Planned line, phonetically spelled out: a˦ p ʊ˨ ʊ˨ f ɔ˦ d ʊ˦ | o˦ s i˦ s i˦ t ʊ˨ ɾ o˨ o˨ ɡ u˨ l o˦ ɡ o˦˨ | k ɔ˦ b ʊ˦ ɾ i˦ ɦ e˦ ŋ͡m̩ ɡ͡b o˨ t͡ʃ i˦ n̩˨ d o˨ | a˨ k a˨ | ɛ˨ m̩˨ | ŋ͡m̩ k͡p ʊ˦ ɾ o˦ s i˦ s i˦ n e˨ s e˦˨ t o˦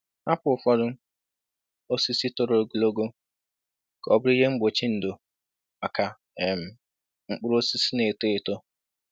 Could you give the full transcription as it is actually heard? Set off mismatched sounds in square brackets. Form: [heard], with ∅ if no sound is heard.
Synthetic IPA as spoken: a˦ p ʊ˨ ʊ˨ f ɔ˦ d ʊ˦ | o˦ s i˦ s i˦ t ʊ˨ ɾ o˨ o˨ ɡ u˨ l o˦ ɡ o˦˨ | k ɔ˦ b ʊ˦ ɾ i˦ ɦ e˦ ŋ͡m̩ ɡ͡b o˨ t͡ʃ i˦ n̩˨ d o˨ | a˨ k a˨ | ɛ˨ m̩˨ | ŋ͡m̩ k͡p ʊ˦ ɾ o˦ s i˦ s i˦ n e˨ [t] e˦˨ t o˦